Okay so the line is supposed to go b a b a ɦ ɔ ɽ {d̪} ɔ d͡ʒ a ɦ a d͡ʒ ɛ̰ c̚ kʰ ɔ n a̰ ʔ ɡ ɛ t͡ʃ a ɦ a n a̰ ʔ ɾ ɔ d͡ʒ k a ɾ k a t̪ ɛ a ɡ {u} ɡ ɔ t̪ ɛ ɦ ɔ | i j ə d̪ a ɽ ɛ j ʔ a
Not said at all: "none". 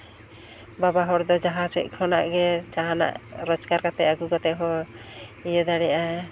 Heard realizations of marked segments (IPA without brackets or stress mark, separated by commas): d̪, u